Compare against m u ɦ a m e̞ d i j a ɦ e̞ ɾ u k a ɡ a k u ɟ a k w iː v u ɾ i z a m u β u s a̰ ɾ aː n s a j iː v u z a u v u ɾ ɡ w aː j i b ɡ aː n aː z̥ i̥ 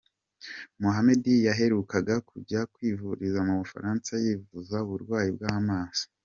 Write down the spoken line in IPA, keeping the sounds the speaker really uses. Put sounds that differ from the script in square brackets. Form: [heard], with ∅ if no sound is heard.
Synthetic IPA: m u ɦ a m e̞ d i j a ɦ e̞ ɾ u k a ɡ a k u ɟ a k w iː v u ɾ i z a m u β u [f] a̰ ɾ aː n s a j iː v u z a u [β] u ɾ ɡ w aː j i b ɡ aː [m] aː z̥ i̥